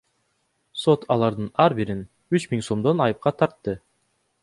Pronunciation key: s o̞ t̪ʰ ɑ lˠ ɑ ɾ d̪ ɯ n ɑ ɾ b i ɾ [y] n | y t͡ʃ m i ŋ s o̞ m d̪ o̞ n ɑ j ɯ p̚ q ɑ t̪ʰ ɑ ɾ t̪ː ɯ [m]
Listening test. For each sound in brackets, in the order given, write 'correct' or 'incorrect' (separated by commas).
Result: incorrect, incorrect